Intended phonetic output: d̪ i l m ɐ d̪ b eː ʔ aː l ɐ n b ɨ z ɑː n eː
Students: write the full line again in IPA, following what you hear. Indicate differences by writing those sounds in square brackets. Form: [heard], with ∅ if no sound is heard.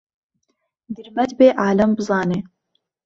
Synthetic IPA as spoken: d̪ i [ɾ] m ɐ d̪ b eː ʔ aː l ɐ [m] b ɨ z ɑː n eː